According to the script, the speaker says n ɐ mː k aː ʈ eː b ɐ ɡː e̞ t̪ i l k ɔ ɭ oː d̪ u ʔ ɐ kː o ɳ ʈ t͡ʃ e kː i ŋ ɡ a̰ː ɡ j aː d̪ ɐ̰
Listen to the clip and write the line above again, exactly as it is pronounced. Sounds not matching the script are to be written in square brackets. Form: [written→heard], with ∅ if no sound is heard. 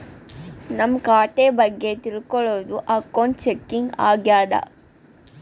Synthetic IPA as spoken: n ɐ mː k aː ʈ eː b ɐ ɡː e̞ t̪ i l k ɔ ɭ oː d̪ u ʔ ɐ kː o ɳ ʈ t͡ʃ e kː i ŋ ɡ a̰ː ɡ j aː d̪ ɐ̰

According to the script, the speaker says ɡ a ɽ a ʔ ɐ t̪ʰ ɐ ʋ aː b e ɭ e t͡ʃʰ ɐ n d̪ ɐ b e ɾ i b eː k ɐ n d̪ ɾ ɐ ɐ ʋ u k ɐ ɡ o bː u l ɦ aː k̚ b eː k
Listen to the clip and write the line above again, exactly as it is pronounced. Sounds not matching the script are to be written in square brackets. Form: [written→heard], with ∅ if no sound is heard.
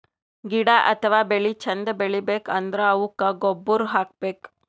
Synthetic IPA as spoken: ɡ [a→i] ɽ a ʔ ɐ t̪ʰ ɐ ʋ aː b e ɭ [e→i] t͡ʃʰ ɐ n d̪ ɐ b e [ɾ→ɭ] i b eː k ɐ n d̪ ɾ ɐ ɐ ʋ u k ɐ ɡ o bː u [l→ɾ] ɦ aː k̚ b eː k

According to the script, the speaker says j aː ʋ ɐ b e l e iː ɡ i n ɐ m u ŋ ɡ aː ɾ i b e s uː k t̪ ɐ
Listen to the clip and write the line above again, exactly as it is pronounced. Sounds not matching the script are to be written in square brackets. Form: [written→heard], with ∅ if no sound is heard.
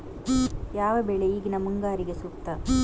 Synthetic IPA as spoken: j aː ʋ ɐ b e [l→ɭ] e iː ɡ i n ɐ m u ŋ ɡ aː ɾ i [b→ɡ] e s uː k t̪ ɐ

